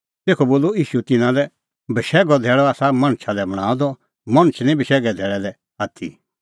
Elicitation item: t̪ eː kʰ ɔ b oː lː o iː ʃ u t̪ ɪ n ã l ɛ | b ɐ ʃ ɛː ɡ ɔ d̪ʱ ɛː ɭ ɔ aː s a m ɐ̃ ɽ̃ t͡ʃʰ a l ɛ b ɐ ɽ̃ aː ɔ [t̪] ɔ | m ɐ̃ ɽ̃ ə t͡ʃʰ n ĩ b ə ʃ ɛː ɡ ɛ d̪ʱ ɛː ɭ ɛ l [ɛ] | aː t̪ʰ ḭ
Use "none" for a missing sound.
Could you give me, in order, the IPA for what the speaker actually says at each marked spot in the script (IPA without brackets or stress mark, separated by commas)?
d̪, ɛ